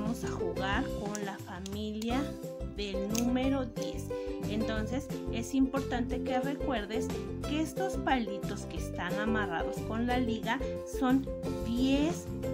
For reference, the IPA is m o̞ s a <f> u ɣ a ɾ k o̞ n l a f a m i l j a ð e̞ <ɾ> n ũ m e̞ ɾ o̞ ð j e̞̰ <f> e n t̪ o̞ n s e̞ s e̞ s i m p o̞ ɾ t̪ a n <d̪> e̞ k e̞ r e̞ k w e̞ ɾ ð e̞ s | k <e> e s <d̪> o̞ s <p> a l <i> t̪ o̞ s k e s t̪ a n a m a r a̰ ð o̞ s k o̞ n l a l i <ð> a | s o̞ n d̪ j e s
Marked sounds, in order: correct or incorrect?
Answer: incorrect: x, incorrect: l, incorrect: s, incorrect: t̪, correct, incorrect: t̪, correct, correct, incorrect: ɣ

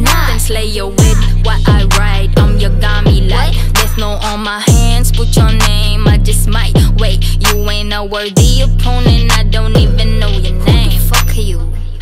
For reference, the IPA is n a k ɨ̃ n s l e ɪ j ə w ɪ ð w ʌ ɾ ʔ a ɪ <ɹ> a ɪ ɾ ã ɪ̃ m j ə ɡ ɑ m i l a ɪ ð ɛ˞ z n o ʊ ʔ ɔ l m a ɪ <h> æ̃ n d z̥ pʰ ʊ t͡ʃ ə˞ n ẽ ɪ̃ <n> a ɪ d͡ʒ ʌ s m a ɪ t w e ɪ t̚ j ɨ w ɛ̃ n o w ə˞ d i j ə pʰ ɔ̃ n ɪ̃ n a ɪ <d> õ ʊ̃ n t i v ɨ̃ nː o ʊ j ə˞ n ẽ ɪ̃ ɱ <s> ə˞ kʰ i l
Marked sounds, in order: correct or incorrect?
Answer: correct, correct, incorrect: m, correct, incorrect: f

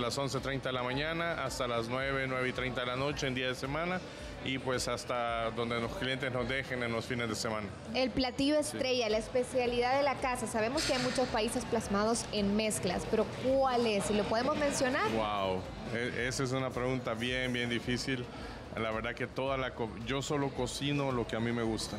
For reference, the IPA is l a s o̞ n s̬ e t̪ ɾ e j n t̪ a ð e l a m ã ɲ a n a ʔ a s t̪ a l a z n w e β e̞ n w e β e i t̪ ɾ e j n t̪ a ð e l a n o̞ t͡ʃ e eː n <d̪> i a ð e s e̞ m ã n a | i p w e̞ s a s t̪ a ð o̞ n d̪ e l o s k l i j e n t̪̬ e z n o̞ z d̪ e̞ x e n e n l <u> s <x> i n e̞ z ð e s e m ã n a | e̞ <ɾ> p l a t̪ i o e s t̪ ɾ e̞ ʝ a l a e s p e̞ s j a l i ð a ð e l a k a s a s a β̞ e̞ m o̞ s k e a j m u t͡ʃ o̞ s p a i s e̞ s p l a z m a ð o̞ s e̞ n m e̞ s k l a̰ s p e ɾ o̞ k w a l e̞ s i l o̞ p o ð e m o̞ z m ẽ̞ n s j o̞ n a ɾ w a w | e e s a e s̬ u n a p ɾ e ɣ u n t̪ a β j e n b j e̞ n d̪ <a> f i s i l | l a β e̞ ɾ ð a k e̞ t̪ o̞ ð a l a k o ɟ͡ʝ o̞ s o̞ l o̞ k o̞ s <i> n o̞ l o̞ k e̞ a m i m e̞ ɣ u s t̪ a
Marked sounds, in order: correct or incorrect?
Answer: correct, incorrect: o, incorrect: f, incorrect: l, incorrect: i, correct

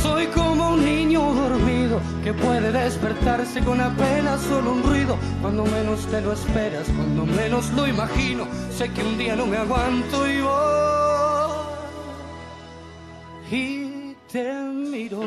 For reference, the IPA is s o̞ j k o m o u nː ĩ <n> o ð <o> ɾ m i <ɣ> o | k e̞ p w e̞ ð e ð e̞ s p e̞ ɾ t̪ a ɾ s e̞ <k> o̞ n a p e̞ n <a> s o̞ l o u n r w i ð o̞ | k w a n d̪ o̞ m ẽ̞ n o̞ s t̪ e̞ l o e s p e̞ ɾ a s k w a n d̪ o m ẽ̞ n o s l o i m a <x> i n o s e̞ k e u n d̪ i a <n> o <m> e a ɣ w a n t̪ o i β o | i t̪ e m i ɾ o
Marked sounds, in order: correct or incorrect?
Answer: incorrect: ɲ, correct, incorrect: ð, correct, correct, correct, correct, correct

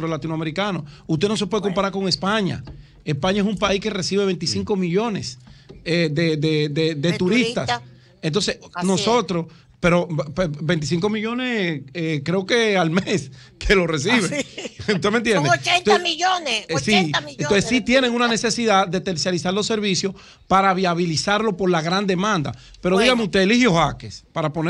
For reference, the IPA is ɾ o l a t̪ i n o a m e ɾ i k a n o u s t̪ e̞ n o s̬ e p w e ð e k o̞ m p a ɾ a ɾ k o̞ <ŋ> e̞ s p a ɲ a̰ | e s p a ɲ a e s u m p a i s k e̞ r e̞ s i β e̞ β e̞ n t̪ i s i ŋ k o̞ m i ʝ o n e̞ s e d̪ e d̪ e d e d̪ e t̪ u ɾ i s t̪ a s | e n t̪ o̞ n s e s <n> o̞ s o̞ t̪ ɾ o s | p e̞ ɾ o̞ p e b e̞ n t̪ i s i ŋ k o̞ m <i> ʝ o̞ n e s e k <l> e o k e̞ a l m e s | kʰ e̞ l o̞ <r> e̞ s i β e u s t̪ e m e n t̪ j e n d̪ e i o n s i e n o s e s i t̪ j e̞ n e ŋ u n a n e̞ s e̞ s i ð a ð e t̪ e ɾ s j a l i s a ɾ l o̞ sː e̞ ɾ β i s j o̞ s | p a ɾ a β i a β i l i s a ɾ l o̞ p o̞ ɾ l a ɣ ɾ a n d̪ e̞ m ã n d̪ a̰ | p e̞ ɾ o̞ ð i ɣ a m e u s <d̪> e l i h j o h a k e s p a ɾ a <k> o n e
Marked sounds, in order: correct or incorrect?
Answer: correct, correct, correct, incorrect: ɾ, correct, incorrect: t̪, incorrect: p

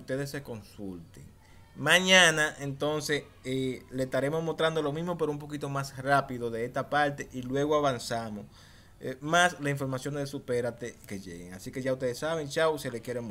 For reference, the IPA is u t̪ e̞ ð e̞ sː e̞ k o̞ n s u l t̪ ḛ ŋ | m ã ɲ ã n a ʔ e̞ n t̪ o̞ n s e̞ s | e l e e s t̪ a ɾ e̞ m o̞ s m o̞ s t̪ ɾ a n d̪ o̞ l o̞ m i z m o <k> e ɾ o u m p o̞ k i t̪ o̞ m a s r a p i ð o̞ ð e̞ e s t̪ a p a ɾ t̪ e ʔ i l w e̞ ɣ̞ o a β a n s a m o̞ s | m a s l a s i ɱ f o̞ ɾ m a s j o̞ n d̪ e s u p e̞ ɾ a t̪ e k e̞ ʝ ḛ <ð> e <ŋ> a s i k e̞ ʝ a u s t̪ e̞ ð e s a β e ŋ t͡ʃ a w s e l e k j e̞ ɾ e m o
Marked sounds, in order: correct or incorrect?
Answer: incorrect: p, incorrect: ɣ, correct

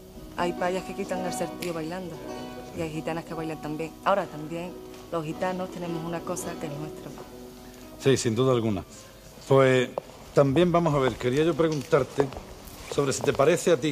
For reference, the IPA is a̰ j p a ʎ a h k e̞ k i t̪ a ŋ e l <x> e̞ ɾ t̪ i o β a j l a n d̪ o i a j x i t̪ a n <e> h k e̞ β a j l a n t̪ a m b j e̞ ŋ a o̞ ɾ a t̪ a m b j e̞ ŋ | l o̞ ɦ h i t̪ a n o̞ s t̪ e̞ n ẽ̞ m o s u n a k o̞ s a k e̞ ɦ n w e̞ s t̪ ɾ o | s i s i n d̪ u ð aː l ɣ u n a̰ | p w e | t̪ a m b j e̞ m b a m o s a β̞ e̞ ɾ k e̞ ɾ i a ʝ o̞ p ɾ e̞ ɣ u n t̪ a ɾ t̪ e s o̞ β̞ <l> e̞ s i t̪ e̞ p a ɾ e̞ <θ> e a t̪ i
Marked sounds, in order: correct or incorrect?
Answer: incorrect: s, incorrect: a, incorrect: ɾ, correct

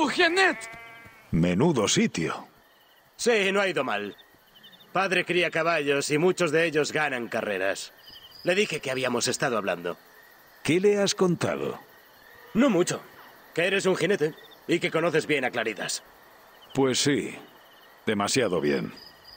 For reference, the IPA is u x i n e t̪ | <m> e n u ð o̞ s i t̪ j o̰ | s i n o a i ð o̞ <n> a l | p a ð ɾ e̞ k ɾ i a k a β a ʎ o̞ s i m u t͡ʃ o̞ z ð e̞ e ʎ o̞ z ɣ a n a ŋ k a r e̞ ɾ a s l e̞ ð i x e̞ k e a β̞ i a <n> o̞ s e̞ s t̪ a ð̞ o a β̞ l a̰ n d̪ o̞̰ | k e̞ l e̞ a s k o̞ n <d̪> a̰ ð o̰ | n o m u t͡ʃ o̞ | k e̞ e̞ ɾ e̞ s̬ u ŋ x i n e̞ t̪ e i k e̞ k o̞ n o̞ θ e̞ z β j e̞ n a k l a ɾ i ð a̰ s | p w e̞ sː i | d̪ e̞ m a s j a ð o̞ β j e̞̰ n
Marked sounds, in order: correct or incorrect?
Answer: correct, incorrect: m, incorrect: m, incorrect: t̪

